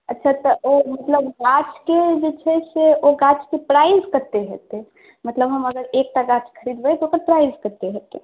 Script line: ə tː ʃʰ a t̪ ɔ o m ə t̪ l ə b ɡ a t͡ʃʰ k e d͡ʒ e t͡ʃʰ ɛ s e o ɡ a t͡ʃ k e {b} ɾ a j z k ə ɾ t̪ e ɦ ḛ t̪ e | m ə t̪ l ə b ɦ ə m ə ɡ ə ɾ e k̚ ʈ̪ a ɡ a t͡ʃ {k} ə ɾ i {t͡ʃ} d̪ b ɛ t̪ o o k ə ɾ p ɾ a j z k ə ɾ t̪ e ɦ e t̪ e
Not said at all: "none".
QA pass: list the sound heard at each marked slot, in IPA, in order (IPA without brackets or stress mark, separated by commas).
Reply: p, kʰ, none